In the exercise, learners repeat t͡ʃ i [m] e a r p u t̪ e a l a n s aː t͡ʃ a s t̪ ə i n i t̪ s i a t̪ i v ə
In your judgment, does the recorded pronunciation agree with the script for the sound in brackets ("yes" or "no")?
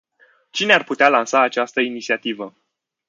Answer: no